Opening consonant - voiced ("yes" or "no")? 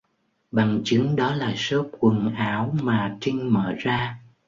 yes